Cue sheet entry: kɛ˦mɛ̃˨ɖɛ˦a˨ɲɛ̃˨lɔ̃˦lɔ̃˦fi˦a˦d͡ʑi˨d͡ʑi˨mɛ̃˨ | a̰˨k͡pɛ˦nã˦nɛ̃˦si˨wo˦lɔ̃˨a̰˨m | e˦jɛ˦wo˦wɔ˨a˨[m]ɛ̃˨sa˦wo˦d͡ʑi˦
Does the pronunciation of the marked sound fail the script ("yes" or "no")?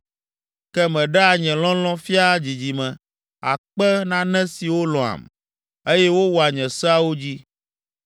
yes